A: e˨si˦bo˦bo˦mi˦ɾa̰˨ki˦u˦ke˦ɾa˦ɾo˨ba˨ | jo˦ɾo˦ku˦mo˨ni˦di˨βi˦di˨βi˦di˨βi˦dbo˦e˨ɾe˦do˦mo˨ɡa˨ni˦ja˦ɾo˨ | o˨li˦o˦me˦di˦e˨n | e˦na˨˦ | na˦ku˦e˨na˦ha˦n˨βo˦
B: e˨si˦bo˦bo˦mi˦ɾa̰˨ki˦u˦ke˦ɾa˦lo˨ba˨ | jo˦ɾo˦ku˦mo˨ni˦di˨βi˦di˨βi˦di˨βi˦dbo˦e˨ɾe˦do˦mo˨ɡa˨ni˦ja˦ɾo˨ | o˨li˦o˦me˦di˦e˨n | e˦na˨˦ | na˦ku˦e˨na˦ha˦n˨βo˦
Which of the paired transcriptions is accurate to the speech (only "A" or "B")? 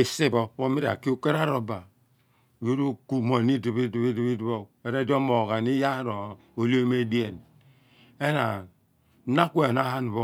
A